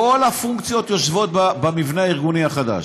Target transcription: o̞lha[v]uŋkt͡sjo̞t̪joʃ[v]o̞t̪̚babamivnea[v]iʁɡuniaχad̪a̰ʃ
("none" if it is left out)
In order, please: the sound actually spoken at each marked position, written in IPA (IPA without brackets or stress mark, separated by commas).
f, v, none